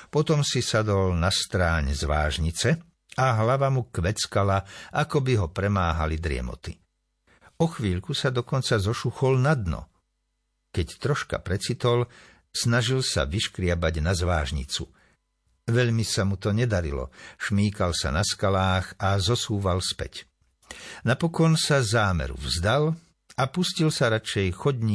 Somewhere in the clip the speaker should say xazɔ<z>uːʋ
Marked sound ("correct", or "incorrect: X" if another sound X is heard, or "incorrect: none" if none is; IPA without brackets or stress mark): incorrect: s